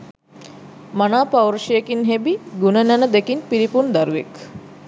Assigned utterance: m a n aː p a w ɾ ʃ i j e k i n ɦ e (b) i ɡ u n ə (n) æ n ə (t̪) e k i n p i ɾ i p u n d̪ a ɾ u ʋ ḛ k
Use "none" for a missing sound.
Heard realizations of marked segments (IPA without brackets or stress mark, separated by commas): b, n, d̪